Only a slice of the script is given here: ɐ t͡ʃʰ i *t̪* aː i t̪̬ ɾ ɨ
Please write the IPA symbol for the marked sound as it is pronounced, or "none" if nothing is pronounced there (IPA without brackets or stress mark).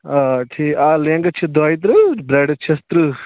d̪